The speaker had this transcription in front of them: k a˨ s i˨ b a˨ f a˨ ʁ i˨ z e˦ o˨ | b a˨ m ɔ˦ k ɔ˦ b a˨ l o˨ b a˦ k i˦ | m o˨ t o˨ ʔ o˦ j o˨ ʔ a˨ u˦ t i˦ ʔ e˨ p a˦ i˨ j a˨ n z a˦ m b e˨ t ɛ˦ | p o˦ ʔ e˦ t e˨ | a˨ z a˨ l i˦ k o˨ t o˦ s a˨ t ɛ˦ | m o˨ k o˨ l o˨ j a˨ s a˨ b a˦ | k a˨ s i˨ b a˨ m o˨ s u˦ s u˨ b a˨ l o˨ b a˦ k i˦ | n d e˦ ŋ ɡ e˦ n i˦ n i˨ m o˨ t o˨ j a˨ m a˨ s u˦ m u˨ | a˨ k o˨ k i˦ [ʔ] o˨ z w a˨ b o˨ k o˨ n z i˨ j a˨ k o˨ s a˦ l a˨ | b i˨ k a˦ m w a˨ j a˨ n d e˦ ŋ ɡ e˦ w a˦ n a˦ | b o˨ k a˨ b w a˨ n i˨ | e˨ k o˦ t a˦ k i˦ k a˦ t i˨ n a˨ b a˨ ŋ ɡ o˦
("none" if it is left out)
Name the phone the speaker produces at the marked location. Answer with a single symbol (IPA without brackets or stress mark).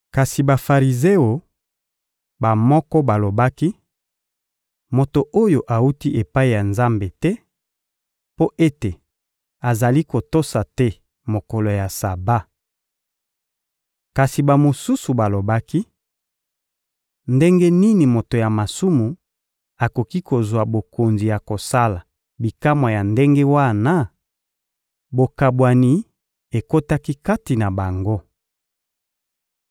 k